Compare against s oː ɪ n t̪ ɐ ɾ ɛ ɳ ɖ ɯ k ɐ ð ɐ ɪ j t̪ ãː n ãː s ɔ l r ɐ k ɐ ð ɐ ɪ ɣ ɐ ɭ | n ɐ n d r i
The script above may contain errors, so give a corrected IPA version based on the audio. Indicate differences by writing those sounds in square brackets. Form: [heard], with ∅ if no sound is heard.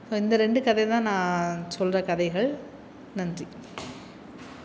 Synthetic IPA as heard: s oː ɪ n [d̪] ɐ ɾ ɛ ɳ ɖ ɯ k ɐ ð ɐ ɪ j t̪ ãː n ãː s ɔ l r ɐ k ɐ ð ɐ ɪ ɣ ɐ ɭ | n ɐ n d r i